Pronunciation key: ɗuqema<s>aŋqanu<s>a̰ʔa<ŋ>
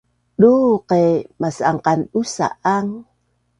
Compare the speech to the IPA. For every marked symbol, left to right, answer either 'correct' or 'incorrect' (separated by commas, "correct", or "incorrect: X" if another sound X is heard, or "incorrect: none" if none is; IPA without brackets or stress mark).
correct, correct, correct